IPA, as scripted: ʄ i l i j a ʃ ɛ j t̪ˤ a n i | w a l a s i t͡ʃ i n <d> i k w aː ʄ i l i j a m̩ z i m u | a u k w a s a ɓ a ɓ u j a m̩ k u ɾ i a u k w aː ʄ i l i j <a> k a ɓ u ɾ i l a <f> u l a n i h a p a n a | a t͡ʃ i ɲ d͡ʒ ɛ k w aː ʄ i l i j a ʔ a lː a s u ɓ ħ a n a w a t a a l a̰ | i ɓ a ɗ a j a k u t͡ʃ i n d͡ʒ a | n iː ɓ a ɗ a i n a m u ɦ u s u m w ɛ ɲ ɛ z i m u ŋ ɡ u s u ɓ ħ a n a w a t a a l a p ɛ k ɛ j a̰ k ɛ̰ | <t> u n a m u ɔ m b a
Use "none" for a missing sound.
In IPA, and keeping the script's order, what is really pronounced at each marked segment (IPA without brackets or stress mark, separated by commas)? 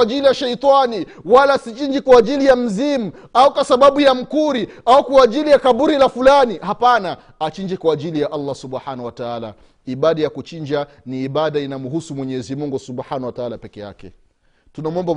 d͡ʒ, a, f, t